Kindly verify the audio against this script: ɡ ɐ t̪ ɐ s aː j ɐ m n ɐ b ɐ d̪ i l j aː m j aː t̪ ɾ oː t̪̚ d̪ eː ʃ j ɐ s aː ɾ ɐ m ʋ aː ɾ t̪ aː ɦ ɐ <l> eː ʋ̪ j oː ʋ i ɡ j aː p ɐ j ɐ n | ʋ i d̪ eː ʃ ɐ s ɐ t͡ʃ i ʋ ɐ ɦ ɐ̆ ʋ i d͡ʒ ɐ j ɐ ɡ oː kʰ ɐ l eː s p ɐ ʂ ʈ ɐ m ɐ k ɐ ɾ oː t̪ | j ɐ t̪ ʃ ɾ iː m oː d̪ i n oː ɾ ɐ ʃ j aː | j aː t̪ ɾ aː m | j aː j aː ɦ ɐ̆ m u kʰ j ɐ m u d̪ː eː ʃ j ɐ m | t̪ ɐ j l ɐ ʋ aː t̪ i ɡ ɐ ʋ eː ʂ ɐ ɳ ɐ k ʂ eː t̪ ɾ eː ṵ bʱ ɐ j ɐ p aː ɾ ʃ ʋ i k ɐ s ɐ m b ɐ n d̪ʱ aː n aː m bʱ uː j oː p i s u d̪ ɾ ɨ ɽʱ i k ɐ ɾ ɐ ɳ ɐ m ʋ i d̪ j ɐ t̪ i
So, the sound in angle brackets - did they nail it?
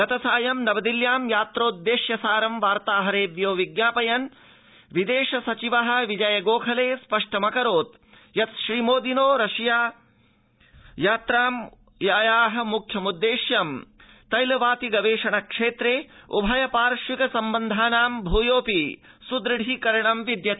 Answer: no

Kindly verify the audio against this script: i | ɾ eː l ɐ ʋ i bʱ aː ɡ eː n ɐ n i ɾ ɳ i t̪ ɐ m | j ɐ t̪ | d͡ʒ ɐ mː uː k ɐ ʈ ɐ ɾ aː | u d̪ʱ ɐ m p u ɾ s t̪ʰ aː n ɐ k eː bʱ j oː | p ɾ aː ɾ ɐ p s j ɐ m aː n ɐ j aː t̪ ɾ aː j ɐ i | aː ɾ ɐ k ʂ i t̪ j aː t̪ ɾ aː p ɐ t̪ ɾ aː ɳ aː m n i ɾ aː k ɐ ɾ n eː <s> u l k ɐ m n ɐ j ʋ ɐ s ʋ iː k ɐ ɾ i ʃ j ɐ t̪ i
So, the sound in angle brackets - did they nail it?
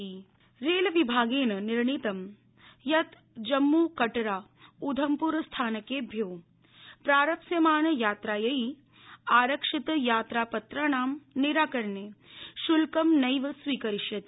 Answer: no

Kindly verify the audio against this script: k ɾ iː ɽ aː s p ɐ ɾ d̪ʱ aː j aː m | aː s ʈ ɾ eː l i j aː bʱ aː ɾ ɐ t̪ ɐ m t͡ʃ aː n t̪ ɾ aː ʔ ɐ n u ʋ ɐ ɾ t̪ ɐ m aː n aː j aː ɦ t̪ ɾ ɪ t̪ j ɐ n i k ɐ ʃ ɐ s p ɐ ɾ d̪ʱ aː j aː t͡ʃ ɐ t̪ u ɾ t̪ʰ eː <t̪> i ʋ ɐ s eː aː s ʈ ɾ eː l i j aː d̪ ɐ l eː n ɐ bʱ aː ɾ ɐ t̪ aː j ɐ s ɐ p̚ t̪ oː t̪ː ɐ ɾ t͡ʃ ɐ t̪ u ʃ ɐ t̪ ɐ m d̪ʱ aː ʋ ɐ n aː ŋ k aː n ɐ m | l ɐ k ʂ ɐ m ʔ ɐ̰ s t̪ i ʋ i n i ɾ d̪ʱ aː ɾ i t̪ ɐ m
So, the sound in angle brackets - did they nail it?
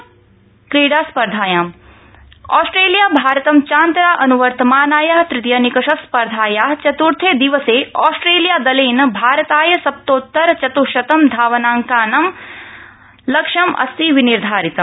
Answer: no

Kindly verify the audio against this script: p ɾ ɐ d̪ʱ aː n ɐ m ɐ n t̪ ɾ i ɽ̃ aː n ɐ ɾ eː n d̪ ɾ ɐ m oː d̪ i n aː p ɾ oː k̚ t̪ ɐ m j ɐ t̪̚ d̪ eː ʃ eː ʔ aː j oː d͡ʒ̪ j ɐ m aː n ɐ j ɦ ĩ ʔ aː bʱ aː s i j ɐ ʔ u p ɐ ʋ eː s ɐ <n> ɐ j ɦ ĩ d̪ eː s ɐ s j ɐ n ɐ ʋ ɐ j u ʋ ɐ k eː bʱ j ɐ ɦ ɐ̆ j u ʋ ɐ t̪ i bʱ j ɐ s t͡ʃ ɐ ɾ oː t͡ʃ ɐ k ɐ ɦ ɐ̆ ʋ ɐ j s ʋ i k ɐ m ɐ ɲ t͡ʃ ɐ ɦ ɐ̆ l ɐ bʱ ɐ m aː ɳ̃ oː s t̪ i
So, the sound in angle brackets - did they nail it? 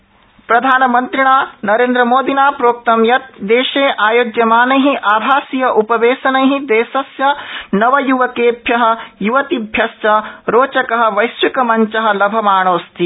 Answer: yes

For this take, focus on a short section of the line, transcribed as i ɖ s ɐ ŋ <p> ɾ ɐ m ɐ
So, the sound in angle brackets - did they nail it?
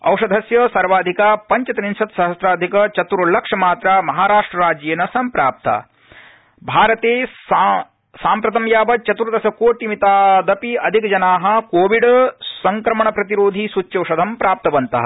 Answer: no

